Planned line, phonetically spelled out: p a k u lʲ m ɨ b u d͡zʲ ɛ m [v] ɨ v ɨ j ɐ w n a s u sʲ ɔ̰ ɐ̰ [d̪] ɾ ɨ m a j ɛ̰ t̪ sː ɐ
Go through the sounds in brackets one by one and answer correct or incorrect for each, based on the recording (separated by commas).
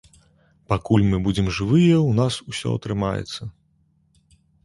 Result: incorrect, incorrect